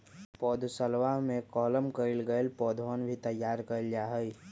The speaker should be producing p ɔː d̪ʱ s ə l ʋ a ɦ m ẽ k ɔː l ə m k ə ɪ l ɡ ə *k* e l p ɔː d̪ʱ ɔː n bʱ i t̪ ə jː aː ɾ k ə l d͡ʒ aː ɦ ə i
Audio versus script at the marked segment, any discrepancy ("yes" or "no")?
yes